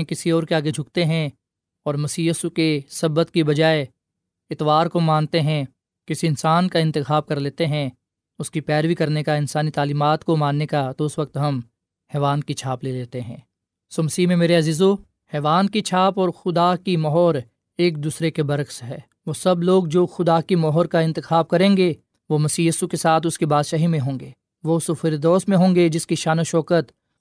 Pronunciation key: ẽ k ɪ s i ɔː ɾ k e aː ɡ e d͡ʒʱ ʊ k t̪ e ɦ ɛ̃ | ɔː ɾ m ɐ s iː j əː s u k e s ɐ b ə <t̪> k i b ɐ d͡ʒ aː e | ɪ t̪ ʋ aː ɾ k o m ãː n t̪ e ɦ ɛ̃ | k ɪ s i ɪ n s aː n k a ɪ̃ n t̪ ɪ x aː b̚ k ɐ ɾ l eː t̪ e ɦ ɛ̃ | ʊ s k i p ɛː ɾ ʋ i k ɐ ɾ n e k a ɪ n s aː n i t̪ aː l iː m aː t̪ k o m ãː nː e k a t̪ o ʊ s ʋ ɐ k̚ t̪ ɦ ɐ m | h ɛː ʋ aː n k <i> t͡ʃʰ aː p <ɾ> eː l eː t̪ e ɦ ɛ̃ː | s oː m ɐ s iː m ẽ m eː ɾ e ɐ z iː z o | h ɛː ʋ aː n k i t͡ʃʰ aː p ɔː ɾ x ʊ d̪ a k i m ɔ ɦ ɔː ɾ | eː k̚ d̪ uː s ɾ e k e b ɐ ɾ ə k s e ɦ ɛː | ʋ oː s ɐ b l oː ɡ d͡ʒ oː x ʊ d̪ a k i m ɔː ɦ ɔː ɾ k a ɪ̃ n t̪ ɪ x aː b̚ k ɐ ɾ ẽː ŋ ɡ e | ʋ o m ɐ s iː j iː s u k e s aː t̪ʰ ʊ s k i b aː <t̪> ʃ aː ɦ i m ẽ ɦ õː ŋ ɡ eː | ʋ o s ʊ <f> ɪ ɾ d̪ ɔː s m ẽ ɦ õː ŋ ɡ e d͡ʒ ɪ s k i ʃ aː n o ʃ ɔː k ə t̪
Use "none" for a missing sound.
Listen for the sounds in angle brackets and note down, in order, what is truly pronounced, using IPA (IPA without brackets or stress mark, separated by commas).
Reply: t̪, i, l, d̪, f